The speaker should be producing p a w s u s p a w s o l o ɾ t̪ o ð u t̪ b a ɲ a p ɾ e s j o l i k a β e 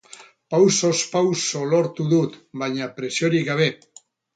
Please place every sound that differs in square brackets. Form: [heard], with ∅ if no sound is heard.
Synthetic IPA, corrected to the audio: p a w s [o] s p a w s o l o ɾ t̪ [u] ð u t̪ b a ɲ a p ɾ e s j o [ɾ] i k a β e

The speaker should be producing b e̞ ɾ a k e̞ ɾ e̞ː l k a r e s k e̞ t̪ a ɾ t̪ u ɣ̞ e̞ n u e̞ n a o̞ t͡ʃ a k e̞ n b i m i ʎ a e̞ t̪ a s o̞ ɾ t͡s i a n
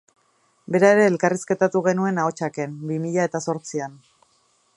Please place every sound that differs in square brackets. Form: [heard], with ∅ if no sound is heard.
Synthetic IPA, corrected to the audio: b e̞ ɾ a [∅] e̞ ɾ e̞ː l k a r [i] s k e̞ t̪ a [∅] t̪ u ɣ̞ e̞ n u e̞ n a o̞ t͡ʃ a k e̞ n b i m i ʎ a e̞ t̪ a s o̞ ɾ t͡s i a n

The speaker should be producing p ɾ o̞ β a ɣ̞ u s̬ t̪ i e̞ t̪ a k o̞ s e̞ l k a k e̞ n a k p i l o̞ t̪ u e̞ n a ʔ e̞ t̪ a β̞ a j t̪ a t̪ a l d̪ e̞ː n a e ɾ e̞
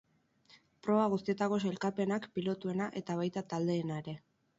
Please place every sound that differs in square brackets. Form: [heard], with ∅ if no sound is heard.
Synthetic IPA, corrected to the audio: p ɾ o̞ β a ɣ̞ u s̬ t̪ i e̞ t̪ a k o̞ s e̞ l k a [p] e̞ n a k p i l o̞ t̪ u e̞ n a ʔ e̞ t̪ a β̞ a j t̪ a t̪ a l d̪ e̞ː n a e ɾ e̞

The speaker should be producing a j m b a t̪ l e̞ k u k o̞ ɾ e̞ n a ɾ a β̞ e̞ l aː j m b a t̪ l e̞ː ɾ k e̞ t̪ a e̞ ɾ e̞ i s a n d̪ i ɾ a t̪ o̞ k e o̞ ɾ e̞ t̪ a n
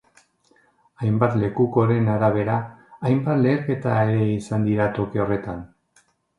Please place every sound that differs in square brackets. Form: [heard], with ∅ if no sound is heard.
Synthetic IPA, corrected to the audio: a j m b a t̪ l e̞ k u k o̞ ɾ e̞ n a ɾ a β̞ e̞ [ɾ] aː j m b a t̪ l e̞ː ɾ k e̞ t̪ a e̞ ɾ e̞ i s a n d̪ i ɾ a t̪ o̞ k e o̞ [r] e̞ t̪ a n

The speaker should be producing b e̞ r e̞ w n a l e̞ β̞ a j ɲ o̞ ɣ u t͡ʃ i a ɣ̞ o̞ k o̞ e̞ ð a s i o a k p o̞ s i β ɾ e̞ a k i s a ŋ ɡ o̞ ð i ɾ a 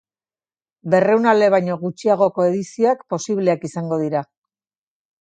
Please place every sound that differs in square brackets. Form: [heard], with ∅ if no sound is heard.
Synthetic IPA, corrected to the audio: b e̞ r e̞ w n a l e̞ β̞ a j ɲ o̞ ɣ u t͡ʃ i a ɣ̞ o̞ k o̞ e̞ ð [i] s i o a k p o̞ s i β [l] e̞ a k i s a ŋ ɡ o̞ ð i ɾ a

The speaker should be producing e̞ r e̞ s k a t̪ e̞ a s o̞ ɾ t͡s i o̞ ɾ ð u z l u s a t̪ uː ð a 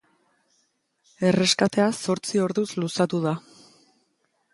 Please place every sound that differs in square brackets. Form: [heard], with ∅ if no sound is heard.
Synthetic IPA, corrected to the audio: e̞ r e̞ s k a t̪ e̞ a s o̞ ɾ t͡s i o̞ ɾ ð u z l u s a t̪ [u] ð a

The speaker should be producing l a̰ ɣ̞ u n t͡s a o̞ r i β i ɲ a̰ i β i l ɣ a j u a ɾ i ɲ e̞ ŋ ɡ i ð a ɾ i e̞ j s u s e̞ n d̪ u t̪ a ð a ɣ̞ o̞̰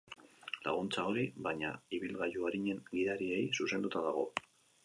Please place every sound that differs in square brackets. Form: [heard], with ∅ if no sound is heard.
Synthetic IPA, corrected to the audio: l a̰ ɣ̞ u n t͡s a o̞ [ɾ] i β [a] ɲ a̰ i β i l ɣ a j u a ɾ i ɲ e̞ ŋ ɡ i ð a ɾ i e̞ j s u s e̞ n d̪ u t̪ a ð a ɣ̞ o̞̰

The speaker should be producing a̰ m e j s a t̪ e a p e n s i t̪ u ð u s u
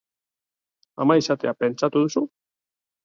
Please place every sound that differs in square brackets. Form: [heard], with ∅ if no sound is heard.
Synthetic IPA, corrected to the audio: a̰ m [a] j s a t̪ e a p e n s [a] t̪ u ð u s u

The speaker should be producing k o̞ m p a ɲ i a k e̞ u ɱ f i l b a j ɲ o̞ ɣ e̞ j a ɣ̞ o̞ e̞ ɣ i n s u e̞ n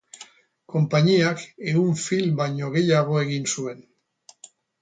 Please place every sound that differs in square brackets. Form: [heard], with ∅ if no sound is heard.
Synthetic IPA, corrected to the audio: k o̞ m p a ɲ i a k e̞ u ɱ f i l b a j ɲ o̞ ɣ e̞ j a ɣ̞ o̞ e̞ ɣ i n s u e̞ n

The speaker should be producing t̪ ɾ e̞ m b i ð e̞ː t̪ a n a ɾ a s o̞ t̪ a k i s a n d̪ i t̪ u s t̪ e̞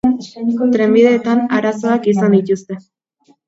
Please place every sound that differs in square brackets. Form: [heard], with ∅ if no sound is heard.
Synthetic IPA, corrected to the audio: t̪ ɾ e̞ m b i ð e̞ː t̪ a n a ɾ a s o̞ [∅] a k i s a n d̪ i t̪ u s t̪ e̞

